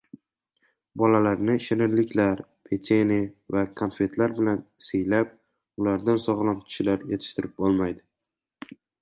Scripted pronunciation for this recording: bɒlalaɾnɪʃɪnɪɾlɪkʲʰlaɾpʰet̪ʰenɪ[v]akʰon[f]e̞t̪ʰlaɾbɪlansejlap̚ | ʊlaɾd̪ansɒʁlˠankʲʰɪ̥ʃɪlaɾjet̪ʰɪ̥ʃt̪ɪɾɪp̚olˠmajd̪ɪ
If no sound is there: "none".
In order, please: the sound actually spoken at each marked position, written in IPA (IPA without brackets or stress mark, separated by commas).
v, f